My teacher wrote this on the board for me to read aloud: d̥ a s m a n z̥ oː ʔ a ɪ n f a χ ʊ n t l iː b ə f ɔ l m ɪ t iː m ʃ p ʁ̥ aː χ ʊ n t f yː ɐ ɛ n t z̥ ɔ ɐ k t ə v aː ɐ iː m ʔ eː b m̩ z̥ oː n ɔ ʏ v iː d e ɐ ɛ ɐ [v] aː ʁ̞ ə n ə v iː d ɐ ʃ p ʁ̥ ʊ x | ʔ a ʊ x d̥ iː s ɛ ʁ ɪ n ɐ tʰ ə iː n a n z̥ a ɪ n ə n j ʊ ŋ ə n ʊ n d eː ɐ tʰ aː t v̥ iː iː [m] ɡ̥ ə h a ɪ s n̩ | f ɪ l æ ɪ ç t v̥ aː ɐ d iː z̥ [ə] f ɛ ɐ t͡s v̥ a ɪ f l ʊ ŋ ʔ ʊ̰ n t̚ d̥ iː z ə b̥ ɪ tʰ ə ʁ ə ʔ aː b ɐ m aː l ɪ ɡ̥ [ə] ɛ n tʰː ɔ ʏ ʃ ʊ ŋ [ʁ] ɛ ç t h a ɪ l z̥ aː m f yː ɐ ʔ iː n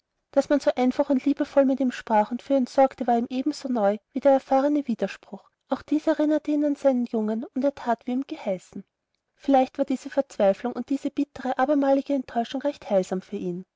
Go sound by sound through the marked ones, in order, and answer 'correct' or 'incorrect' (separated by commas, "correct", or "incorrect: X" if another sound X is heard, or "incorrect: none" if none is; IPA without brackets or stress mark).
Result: incorrect: f, correct, correct, correct, correct